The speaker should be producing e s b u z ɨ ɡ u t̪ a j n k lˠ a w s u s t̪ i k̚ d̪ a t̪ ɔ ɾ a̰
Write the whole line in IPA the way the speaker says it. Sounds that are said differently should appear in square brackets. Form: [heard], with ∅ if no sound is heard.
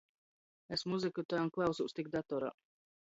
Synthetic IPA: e s [m] u z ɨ [k] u t̪ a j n k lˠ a w s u s t̪ i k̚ d̪ a t̪ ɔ ɾ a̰